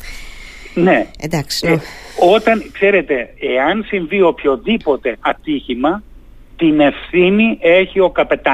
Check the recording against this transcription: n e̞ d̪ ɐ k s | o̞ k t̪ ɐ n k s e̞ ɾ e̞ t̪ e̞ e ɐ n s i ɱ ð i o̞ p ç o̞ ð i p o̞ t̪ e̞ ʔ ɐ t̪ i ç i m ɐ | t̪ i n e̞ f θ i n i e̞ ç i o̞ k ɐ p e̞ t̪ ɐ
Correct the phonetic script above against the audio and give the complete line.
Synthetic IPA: n e̞ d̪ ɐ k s | o̞ t̪ ɐ n k s e̞ ɾ e̞ t̪ e̞ e ɐ n s i ɱ v i o̞ p ç o̞ ð i p o̞ t̪ e̞ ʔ ɐ t̪ i ç i m ɐ | t̪ i n e̞ f θ i n i e̞ ç i o̞ k ɐ p e̞ t̪ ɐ